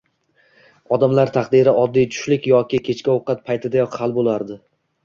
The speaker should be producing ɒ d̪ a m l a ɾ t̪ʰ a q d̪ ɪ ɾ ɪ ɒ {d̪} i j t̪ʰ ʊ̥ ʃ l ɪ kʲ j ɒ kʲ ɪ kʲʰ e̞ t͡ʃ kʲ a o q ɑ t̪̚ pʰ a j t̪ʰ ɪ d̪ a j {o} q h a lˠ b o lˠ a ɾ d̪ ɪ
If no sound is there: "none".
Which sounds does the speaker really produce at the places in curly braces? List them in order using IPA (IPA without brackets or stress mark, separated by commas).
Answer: d̪ː, ɒ